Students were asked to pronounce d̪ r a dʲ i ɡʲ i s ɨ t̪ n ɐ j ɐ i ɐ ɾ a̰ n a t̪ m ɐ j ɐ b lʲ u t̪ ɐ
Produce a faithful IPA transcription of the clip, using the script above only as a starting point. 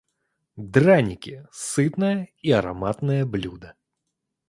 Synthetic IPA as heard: d̪ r a nʲ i kʲ i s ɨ t̪ n ɐ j ɐ i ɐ ɾ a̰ m a t̪ n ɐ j ɐ b lʲ u d̪ ɐ